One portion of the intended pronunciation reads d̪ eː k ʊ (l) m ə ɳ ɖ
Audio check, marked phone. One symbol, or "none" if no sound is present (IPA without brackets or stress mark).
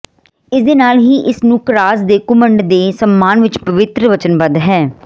none